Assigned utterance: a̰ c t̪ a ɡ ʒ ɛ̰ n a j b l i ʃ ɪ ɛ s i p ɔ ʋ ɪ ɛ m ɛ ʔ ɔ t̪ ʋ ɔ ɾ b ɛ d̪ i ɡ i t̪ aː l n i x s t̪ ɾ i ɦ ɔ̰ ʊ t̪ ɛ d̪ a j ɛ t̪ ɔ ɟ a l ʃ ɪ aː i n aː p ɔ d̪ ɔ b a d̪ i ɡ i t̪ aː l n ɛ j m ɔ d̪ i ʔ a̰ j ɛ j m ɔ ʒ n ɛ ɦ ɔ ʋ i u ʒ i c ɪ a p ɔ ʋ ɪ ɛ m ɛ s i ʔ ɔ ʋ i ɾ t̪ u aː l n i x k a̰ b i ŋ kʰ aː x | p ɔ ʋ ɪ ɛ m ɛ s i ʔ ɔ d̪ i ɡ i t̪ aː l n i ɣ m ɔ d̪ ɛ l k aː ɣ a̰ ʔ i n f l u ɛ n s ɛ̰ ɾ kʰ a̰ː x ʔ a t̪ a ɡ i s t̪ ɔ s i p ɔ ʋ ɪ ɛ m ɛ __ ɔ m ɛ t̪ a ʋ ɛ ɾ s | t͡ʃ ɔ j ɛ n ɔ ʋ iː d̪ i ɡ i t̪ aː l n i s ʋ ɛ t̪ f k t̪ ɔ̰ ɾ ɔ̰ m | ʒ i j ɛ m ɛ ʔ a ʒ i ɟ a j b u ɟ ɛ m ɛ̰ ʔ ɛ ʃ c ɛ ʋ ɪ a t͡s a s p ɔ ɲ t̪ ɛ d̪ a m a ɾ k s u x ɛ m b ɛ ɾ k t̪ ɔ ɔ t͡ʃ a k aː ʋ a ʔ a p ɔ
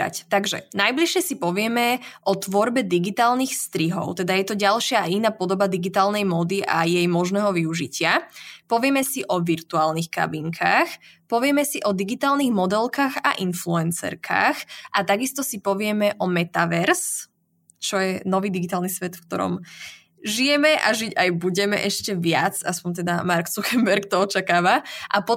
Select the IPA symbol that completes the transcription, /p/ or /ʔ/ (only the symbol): ʔ